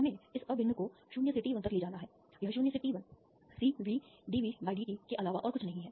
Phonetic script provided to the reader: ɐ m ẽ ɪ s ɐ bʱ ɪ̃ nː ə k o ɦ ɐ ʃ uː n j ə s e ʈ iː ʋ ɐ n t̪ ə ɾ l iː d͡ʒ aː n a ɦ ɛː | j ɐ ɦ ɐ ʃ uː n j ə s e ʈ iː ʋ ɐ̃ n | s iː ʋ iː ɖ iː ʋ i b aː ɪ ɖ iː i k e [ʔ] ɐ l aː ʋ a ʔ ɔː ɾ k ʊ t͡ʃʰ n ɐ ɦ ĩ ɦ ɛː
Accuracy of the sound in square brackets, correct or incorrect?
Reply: correct